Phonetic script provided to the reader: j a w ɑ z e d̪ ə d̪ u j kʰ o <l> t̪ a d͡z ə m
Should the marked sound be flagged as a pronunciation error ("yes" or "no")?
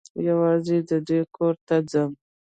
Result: yes